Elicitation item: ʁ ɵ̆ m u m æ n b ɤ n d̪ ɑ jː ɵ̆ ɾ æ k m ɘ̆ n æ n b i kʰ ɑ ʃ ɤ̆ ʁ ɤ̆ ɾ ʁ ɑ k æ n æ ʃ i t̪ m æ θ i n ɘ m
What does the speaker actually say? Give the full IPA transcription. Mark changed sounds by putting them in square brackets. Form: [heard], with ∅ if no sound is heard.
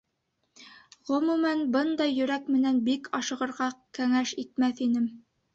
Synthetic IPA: ʁ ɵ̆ m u m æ n b ɤ n d̪ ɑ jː ɵ̆ ɾ æ k m ɘ̆ n æ n b i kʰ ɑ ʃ ɤ̆ ʁ ɤ̆ ɾ ʁ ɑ k æ [ŋ] æ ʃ i t̪ m æ θ i n ɘ m